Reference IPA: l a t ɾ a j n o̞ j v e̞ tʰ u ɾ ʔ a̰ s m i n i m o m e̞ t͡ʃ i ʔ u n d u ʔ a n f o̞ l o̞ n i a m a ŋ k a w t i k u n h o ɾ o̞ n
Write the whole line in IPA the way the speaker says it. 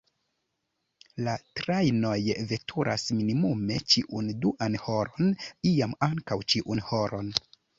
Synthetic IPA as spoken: l a t ɾ a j n o̞ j v e̞ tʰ u ɾ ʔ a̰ s m i n i m u m e̞ t͡ʃ i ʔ u n d u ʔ a n h o̞ ɾ o̞ n i a m a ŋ k a w t͡ʃ i ʔ u n h o ɾ o̞ n